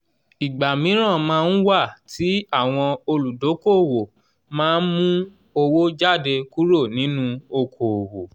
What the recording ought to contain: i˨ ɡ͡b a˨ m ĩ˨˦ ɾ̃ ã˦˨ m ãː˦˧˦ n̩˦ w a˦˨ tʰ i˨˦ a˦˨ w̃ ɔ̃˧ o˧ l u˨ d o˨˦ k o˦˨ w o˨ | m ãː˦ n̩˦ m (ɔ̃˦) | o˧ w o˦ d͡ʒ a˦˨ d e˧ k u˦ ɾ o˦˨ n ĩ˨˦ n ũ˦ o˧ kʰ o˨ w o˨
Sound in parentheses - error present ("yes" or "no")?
yes